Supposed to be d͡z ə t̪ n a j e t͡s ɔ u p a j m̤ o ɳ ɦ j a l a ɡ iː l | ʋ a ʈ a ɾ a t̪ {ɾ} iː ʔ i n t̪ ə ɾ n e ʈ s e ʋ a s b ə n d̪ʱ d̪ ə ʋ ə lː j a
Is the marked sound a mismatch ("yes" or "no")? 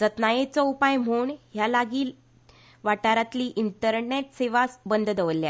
yes